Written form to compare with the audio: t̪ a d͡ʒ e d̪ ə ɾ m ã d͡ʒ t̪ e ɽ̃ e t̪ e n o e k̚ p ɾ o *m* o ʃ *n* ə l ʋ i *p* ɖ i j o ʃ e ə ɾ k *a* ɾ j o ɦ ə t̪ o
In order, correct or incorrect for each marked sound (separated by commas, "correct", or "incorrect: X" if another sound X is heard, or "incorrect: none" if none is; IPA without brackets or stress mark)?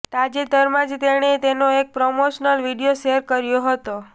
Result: correct, correct, incorrect: none, incorrect: ə